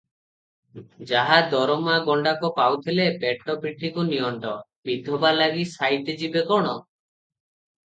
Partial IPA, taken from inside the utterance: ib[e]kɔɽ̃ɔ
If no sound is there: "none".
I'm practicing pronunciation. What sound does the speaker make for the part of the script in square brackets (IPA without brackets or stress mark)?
e